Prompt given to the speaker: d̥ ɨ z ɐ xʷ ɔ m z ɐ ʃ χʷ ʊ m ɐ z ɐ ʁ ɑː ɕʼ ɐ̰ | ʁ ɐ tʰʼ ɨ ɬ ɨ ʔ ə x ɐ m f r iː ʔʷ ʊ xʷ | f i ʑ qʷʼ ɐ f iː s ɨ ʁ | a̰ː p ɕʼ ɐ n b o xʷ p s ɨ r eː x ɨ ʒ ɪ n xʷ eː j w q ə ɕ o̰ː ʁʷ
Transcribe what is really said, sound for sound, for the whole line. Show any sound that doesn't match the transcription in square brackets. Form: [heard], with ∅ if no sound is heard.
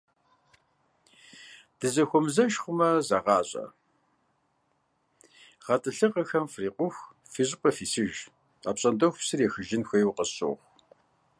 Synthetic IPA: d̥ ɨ z ɐ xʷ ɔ m z ɐ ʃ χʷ ʊ m ɐ z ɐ ʁ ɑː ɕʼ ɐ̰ | ʁ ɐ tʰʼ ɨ ɬ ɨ [q] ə x ɐ m f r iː [qʷ] ʊ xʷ | f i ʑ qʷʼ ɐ f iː s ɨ [ʒ] | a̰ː p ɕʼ ɐ n [d] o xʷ p s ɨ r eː x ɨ ʒ ɪ n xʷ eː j w q ə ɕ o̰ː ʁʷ